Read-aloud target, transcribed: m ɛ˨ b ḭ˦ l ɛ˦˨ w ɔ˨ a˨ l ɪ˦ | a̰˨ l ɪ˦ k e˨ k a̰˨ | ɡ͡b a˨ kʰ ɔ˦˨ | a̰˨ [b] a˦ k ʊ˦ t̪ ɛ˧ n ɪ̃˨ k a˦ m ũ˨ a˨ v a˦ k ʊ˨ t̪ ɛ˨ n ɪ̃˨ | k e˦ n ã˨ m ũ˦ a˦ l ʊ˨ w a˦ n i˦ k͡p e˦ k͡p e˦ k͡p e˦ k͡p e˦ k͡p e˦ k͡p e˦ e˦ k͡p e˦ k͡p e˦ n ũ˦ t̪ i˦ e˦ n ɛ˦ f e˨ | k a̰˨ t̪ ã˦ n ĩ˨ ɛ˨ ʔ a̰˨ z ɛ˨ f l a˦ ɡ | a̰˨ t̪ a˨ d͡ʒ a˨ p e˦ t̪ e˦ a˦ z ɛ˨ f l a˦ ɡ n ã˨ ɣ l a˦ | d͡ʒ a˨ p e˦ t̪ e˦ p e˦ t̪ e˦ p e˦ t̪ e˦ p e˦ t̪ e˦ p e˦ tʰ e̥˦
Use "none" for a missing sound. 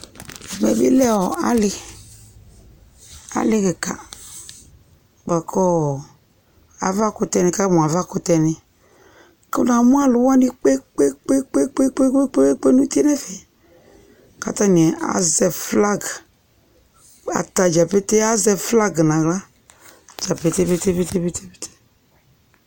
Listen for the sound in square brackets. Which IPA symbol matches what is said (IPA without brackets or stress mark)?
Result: v